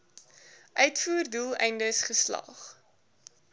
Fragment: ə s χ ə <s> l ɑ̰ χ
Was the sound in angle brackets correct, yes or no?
yes